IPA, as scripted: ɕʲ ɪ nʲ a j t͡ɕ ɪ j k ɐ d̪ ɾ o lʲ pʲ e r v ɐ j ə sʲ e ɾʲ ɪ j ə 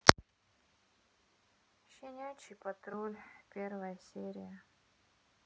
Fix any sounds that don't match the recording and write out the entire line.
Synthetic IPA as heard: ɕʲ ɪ nʲ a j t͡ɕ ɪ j p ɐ t̪ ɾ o lʲ pʲ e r v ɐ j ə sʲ e ɾʲ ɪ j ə